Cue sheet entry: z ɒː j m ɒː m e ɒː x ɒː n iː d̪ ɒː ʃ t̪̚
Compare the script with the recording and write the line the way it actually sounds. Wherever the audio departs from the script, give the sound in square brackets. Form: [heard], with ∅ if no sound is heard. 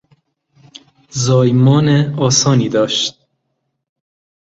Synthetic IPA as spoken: z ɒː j m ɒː [n] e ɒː [s] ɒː n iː d̪ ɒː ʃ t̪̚